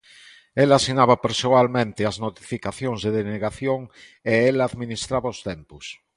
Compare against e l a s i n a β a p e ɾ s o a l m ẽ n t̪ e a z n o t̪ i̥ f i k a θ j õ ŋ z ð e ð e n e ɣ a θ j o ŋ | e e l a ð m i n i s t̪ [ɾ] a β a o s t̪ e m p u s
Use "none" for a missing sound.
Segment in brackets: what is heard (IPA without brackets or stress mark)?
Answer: ɾ